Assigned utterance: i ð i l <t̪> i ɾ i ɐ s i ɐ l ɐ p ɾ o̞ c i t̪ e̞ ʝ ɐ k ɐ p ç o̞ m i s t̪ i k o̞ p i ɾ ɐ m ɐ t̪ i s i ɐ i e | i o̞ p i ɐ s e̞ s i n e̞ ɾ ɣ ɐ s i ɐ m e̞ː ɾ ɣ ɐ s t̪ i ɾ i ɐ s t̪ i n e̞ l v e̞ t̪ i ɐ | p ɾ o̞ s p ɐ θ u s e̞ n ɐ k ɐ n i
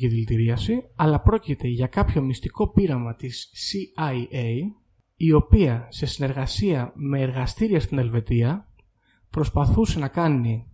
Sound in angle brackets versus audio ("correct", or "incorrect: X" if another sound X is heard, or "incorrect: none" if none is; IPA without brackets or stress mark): correct